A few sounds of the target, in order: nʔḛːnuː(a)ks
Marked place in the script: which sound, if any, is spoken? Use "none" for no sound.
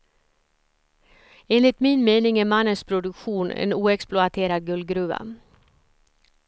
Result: ɛ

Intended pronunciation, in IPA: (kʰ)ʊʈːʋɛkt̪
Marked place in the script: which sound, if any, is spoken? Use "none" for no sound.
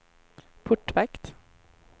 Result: pʰ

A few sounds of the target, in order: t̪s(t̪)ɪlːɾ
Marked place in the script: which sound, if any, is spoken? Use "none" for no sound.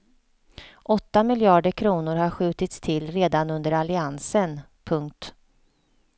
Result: t̪ʰ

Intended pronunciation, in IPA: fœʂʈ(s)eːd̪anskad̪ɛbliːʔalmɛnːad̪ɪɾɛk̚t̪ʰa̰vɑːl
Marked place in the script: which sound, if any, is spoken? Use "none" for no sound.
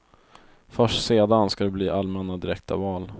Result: s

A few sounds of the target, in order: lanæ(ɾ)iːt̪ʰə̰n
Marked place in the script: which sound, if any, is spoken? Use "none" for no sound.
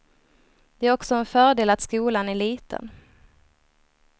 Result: ɭ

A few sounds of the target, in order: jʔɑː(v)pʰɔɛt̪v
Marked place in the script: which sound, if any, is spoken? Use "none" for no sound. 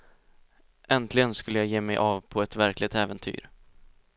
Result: v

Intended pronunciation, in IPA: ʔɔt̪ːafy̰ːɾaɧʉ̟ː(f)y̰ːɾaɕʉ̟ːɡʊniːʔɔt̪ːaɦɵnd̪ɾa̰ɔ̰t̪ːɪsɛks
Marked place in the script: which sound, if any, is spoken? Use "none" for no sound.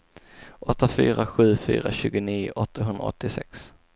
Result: f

